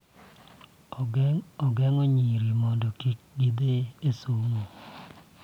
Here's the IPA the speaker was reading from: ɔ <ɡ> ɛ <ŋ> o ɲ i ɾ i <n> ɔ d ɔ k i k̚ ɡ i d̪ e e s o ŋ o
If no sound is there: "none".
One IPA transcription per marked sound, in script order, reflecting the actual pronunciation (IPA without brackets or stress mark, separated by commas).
ɡ, ŋ, m